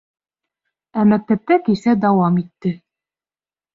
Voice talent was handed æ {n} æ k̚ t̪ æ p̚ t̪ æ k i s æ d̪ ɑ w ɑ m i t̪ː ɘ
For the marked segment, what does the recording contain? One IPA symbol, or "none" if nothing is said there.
m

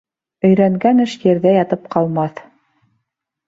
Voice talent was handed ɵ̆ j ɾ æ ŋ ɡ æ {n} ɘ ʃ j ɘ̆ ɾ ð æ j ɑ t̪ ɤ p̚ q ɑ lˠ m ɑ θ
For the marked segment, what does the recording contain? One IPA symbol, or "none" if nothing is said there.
n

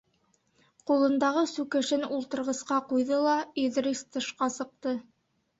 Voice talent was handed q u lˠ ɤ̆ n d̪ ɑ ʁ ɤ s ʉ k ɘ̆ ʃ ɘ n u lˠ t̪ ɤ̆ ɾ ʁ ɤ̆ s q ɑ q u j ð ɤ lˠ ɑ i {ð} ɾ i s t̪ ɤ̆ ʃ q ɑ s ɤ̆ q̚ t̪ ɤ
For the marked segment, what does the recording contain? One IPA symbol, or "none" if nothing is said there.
ð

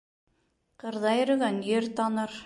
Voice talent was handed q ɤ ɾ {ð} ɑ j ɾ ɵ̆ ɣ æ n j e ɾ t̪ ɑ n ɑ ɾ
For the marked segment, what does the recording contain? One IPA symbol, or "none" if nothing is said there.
ð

